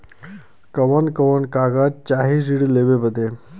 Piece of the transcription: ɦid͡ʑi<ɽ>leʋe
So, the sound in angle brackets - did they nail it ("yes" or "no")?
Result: yes